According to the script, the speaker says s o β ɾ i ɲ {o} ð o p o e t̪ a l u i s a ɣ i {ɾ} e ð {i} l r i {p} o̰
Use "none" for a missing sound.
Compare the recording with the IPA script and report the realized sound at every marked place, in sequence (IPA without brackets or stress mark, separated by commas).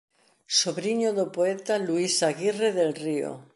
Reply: o, r, e, none